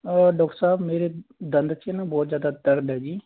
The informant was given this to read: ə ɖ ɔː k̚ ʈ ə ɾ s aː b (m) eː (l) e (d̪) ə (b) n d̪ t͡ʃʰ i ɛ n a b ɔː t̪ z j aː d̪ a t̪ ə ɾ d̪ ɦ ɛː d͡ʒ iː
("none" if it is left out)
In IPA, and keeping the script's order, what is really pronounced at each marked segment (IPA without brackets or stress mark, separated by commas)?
m, ɾ, d̪, none